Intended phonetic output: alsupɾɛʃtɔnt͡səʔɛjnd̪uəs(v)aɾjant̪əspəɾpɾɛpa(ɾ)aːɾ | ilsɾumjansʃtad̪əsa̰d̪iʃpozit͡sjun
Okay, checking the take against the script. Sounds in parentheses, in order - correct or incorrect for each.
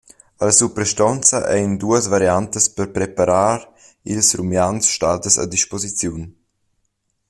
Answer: correct, correct

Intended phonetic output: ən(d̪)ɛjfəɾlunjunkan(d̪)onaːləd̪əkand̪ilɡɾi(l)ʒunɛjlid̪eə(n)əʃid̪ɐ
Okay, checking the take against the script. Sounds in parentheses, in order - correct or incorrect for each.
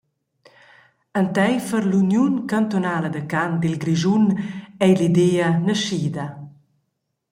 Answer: incorrect, incorrect, incorrect, correct

